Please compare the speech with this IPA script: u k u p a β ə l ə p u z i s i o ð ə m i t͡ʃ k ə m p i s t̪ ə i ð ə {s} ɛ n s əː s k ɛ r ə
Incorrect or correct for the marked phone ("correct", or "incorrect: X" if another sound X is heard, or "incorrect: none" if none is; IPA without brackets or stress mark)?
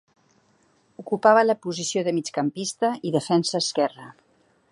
incorrect: f